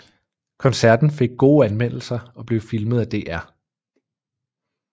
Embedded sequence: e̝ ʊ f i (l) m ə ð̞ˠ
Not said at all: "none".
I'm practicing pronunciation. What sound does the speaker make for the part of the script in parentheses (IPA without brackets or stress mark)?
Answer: l